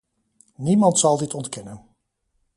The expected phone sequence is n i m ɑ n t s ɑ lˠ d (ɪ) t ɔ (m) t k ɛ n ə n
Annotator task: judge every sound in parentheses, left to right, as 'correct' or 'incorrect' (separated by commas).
correct, incorrect